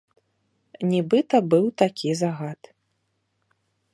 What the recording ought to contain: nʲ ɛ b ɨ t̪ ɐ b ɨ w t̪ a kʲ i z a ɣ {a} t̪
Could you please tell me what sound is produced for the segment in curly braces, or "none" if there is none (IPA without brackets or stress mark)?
a